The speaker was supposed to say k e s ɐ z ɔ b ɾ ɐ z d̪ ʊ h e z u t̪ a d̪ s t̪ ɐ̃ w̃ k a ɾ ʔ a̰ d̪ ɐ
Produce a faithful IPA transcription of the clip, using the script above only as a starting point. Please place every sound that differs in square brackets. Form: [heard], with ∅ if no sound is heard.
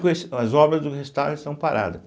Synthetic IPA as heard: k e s ɐ z ɔ b ɾ ɐ z d̪ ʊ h e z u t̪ a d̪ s t̪ ɐ̃ w̃ [p] a ɾ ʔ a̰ d̪ ɐ